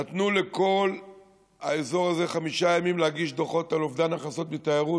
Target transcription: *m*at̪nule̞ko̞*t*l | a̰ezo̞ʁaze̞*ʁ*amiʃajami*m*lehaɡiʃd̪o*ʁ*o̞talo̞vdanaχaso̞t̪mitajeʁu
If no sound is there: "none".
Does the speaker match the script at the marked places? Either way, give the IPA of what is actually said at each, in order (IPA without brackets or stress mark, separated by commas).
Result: n, none, χ, m, χ